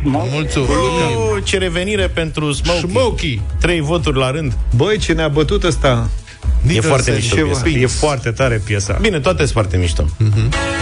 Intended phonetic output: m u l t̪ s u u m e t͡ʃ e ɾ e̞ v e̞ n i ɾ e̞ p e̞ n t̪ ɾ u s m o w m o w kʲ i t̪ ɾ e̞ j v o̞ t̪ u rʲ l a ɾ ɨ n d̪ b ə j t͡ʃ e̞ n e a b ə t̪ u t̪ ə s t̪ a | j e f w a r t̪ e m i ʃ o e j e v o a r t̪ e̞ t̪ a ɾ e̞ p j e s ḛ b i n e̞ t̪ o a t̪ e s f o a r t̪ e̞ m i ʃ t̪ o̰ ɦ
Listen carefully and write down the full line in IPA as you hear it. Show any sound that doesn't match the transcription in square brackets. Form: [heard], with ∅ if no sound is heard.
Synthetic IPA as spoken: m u l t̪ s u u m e t͡ʃ e ɾ e̞ v e̞ n i ɾ e̞ p e̞ n t̪ ɾ u s m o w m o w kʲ i t̪ ɾ e̞ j v o̞ t̪ u rʲ l a ɾ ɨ n d̪ b ə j t͡ʃ e̞ n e a b ə t̪ u t̪ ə s t̪ a | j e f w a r t̪ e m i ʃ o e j e [f] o a r t̪ e̞ t̪ a ɾ e̞ p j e s [a̰] b i n e̞ t̪ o a t̪ e s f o a r t̪ e̞ m i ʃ t̪ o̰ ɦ